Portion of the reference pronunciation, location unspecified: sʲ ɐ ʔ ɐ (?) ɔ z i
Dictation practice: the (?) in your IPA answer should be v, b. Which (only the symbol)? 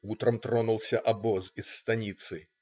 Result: b